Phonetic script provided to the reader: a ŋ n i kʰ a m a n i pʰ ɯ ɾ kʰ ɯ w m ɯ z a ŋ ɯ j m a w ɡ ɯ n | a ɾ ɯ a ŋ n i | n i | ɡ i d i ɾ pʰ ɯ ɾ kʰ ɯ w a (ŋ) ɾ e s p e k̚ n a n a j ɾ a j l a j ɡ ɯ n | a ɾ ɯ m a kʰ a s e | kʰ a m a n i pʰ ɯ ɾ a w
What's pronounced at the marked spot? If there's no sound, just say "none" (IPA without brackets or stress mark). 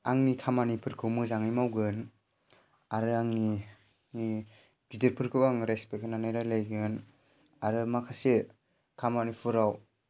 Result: ŋ